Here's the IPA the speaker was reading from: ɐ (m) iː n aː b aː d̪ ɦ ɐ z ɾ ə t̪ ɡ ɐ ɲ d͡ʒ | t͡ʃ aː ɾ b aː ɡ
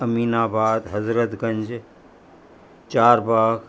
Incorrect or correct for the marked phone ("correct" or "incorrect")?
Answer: correct